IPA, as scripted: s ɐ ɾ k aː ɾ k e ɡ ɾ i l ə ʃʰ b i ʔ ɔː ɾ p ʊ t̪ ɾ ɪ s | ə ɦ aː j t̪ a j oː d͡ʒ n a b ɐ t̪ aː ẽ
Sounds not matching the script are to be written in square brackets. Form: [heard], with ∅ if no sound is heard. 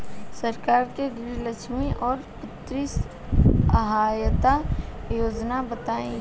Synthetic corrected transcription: s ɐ ɾ k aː ɾ k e ɡ ɾ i l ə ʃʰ [m] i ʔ ɔː ɾ p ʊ t̪ ɾ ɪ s | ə ɦ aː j t̪ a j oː d͡ʒ n a b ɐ t̪ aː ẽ